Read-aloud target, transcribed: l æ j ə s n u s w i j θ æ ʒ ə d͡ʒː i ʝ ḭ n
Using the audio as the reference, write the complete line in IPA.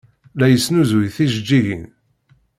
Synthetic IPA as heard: l æ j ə s n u z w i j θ i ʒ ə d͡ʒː i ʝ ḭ n